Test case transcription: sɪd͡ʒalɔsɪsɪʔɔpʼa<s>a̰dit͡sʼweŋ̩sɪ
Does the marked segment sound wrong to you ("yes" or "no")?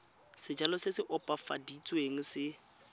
yes